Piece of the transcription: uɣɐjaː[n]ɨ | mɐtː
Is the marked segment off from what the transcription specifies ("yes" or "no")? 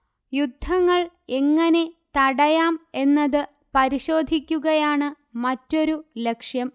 yes